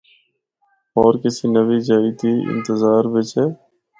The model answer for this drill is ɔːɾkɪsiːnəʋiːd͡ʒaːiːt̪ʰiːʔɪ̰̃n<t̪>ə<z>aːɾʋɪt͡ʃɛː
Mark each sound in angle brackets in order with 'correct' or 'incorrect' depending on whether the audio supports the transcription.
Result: correct, correct

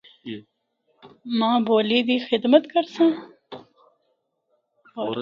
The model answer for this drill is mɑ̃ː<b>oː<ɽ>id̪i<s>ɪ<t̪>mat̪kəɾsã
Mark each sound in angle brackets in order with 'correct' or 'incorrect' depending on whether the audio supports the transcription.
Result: correct, incorrect, incorrect, incorrect

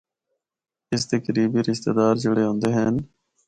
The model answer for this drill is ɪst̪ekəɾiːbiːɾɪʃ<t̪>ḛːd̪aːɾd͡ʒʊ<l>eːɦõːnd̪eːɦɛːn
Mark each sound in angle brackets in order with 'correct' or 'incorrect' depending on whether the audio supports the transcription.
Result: correct, incorrect

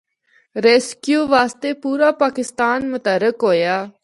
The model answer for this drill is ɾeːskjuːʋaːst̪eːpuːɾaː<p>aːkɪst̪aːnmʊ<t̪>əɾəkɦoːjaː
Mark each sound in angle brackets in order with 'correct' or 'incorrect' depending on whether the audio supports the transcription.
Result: correct, correct

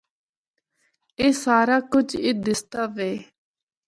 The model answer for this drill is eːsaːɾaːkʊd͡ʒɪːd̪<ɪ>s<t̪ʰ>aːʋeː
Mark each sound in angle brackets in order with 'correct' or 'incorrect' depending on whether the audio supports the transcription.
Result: correct, incorrect

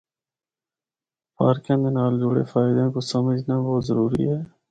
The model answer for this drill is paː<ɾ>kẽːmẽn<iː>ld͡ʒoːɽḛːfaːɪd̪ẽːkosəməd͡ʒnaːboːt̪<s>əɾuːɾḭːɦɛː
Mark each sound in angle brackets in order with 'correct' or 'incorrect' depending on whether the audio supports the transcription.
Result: correct, incorrect, incorrect

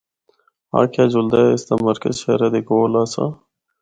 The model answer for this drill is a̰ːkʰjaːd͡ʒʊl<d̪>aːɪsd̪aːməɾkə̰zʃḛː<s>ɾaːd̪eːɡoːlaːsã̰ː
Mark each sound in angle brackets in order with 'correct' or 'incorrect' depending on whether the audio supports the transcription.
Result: correct, incorrect

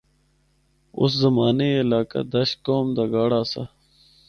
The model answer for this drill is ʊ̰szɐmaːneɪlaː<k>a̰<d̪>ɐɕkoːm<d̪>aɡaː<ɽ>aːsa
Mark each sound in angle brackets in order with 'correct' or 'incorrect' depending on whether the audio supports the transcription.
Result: correct, correct, correct, correct

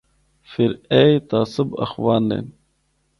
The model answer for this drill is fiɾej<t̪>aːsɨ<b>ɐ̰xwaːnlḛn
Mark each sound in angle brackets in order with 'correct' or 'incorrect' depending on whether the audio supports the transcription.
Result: correct, correct

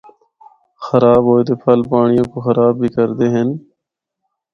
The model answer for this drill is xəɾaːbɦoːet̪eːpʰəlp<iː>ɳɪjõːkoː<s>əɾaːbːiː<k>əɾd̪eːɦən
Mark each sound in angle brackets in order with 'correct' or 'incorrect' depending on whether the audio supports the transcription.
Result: incorrect, incorrect, correct

